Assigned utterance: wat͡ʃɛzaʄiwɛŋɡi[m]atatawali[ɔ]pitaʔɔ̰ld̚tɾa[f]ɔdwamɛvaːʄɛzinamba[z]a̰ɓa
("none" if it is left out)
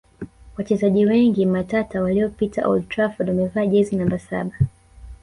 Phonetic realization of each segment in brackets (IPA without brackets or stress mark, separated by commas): m, ɔ, f, s